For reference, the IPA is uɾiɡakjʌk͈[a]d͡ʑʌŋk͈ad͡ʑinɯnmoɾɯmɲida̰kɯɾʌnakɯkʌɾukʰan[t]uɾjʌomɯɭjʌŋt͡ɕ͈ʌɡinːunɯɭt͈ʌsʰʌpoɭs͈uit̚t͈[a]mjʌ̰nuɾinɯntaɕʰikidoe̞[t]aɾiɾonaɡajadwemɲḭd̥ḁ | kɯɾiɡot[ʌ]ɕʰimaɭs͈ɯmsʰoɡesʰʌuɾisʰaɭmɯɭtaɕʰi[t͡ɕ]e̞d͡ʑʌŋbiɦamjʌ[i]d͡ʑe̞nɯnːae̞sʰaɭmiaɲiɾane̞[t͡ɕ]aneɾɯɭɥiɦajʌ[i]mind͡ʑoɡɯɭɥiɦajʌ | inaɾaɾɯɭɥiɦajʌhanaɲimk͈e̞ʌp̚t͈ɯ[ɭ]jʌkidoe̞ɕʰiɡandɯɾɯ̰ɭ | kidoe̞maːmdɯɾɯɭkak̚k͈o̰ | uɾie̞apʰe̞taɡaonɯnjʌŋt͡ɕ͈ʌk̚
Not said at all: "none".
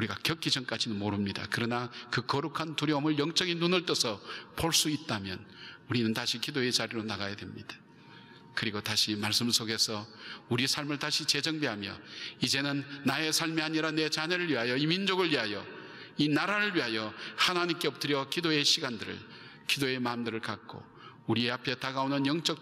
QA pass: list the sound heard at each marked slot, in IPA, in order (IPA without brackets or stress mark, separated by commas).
i, t, a, t͡ɕ, a, t͡ɕ, i, t͡ɕ, i, ɾ